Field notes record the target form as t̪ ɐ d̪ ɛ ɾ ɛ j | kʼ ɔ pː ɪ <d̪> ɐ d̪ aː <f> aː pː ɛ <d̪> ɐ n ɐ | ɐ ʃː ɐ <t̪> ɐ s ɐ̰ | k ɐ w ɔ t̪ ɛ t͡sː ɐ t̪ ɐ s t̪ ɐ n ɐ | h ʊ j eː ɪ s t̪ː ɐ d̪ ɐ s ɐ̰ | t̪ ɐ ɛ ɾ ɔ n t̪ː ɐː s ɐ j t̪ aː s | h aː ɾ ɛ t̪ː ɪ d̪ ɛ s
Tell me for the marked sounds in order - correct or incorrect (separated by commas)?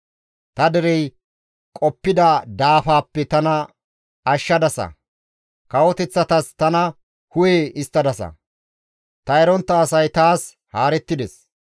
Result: correct, correct, incorrect, incorrect